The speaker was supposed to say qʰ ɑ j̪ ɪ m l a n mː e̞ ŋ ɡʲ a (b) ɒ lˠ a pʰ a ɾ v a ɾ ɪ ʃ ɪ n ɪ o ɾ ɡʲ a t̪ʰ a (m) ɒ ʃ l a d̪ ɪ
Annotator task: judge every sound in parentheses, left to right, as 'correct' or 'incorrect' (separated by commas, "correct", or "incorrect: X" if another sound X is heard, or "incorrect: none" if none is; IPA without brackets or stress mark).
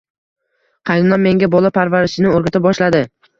correct, incorrect: b